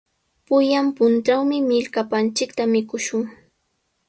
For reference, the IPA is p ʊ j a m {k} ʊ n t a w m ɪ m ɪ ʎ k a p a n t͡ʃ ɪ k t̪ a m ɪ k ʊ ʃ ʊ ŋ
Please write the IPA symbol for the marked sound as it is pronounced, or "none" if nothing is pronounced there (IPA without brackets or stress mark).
p